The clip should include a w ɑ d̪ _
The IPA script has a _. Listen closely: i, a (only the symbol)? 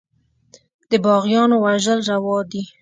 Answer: i